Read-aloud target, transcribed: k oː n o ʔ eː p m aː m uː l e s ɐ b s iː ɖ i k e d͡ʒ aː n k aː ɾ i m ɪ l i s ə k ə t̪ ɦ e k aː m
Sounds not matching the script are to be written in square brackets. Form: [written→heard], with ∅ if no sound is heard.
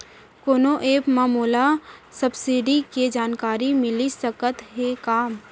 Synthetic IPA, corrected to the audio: k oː n o ʔ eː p m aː m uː l [e→a] s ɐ b s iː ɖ i k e d͡ʒ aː n k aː ɾ i m ɪ l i s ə k ə t̪ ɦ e k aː m